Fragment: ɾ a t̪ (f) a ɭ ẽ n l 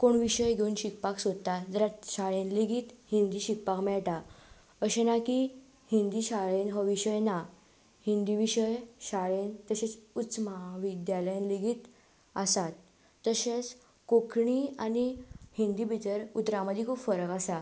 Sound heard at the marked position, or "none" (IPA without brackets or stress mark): ɕ